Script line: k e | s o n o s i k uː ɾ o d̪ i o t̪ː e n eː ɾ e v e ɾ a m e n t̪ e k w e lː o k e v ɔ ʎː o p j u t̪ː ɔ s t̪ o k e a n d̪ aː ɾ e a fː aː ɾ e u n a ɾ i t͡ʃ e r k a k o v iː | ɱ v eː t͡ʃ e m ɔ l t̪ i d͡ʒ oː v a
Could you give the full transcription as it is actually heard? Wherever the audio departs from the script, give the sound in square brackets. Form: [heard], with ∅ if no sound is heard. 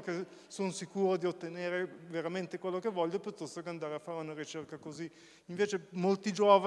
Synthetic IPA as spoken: k e | s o n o s i k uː ɾ o d̪ i o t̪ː e n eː ɾ e v e ɾ a m e n t̪ e k w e lː o k e v ɔ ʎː o p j u t̪ː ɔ s t̪ o k e a n d̪ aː ɾ e a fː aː ɾ e u n a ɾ i t͡ʃ e r k a k o [z] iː | ɱ v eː t͡ʃ e m [o] l t̪ i d͡ʒ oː v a